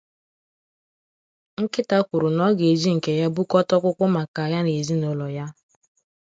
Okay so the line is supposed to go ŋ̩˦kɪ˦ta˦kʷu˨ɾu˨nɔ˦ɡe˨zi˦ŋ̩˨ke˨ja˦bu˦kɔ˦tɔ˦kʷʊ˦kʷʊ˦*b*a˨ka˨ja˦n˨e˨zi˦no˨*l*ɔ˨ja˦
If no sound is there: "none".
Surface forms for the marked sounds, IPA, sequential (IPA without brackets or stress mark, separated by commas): m, l